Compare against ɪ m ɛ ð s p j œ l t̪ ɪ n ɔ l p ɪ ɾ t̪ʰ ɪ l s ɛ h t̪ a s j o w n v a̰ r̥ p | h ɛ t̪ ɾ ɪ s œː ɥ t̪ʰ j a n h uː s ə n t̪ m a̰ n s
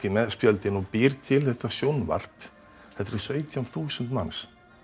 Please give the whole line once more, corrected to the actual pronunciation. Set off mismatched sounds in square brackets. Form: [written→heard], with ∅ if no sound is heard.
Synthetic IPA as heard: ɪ m ɛ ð s p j œ l t̪ ɪ n ɔ [l→∅] p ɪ ɾ t̪ʰ ɪ l [s→θ] ɛ h t̪ a s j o w n v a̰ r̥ p | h ɛ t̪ ɾ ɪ s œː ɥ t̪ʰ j a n [h→θ] uː s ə n t̪ m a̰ n s